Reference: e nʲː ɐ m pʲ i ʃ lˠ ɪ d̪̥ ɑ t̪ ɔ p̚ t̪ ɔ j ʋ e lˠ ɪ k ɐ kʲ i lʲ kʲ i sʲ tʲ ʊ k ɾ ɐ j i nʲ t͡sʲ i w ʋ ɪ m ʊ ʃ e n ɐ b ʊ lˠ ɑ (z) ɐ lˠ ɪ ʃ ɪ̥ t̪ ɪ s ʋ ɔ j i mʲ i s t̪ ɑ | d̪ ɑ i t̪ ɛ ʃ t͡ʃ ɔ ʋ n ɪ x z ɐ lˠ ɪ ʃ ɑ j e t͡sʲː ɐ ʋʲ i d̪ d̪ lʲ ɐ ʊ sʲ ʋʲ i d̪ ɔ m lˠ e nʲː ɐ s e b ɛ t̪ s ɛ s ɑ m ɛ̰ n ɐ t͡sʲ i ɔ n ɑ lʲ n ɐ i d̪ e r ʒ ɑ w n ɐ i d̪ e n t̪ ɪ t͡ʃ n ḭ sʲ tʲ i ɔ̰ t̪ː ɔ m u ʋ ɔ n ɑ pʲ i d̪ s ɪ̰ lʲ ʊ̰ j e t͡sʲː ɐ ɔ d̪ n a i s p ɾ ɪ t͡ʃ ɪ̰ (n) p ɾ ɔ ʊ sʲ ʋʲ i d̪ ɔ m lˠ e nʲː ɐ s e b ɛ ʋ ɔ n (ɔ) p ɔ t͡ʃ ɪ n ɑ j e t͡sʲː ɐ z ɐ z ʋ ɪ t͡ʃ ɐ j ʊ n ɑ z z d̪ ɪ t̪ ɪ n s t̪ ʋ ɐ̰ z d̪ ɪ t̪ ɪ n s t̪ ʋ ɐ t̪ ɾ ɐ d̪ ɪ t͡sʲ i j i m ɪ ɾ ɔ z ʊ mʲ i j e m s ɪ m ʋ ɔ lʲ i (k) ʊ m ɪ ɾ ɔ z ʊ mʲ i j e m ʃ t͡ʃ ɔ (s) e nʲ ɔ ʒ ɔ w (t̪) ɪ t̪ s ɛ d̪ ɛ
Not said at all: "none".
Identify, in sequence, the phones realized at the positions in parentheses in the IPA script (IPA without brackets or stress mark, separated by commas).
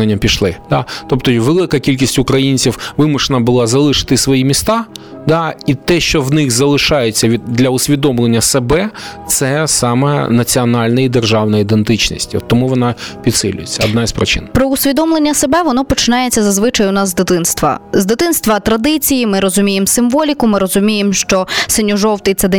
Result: z, n, ɔ, k, s, t̪